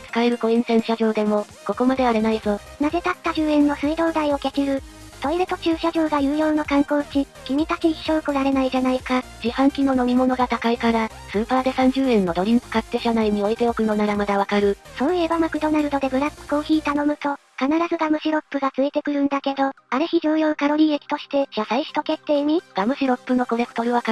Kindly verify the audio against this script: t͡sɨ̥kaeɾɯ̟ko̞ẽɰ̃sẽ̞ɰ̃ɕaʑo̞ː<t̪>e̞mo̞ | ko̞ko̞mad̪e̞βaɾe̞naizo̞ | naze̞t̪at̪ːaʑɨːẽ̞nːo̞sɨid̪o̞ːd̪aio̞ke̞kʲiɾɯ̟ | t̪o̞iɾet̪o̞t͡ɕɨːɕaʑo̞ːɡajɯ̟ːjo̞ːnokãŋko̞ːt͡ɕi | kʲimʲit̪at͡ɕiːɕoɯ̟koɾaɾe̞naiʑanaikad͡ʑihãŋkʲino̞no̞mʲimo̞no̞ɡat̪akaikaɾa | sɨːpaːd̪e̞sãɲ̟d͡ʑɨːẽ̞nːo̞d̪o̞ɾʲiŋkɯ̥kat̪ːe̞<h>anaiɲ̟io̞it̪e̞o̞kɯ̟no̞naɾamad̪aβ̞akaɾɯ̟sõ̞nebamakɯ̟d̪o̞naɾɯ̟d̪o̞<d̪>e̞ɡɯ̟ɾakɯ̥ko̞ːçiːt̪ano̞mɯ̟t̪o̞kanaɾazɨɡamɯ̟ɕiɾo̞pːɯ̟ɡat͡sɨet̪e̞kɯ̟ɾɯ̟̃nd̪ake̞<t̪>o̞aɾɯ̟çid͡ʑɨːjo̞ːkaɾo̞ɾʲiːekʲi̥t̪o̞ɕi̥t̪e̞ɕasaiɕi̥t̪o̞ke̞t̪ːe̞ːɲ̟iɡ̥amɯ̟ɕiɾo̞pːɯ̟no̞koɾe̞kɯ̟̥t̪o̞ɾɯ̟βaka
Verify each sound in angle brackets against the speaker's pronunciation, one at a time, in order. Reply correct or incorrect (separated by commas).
incorrect, incorrect, correct, incorrect